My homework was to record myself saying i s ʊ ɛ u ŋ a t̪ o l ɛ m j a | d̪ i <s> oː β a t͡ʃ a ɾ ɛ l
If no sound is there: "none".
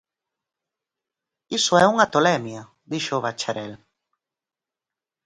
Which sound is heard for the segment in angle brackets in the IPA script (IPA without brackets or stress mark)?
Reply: ʃ